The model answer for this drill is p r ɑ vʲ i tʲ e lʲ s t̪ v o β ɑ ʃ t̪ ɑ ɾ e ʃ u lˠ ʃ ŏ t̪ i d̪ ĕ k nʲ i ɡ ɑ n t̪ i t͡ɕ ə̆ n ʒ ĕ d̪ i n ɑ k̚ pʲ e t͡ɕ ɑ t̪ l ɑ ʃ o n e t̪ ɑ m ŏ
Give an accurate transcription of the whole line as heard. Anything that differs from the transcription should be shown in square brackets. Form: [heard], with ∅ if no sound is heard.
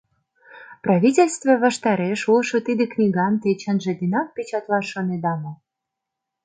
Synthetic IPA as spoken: p r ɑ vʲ i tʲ e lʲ s t̪ v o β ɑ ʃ t̪ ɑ ɾ e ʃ u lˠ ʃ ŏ t̪ i d̪ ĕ k nʲ i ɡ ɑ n t̪ [e] t͡ɕ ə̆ n ʒ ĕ d̪ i n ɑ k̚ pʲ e t͡ɕ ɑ t̪ l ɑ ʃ o n e [d̪] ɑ m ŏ